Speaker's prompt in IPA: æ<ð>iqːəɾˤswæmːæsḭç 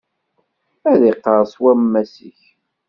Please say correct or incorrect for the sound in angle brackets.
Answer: correct